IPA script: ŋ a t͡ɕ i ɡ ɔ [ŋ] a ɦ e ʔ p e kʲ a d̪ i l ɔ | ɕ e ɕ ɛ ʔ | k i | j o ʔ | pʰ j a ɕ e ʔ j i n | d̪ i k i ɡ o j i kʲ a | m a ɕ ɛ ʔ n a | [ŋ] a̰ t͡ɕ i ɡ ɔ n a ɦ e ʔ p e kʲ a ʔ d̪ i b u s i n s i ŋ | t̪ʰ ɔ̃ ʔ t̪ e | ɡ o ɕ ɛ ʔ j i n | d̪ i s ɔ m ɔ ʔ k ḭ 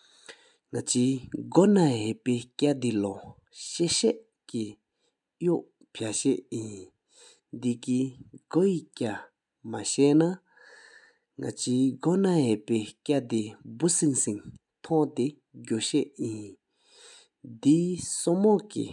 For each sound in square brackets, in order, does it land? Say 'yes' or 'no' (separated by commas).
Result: no, yes